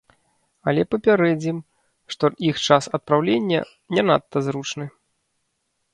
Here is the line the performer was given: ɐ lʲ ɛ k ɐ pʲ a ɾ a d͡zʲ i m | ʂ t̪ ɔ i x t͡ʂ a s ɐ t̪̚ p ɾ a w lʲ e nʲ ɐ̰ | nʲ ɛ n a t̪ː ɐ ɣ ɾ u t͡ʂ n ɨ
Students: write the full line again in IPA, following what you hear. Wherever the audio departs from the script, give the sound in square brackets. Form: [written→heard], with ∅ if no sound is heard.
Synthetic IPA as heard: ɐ lʲ ɛ [k→p] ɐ pʲ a ɾ [a→ɛ] d͡zʲ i m | ʂ t̪ ɔ i x t͡ʂ a s ɐ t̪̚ p ɾ a w lʲ e [nʲ→nʲː] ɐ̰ | nʲ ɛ n a t̪ː ɐ [ɣ→z] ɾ u t͡ʂ n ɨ